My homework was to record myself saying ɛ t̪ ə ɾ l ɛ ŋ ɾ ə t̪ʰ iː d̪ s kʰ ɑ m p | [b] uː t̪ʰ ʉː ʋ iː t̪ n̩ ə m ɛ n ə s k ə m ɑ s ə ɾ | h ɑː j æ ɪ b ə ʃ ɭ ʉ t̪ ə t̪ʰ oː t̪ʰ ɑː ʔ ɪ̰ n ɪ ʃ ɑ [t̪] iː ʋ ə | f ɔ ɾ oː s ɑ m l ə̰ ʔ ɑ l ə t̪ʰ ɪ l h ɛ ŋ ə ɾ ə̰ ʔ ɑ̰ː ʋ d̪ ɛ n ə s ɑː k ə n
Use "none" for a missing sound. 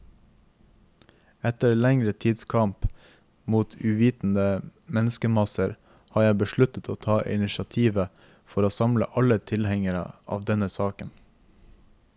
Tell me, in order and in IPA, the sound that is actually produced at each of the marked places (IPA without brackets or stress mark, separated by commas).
m, t̪ʰ